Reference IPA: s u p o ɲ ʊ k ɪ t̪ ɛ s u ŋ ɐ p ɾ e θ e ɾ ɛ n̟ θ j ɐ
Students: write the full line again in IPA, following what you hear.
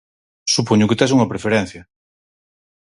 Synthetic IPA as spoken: s u p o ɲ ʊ k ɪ t̪ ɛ s u ŋ ɐ p ɾ e f e ɾ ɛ n̟ θ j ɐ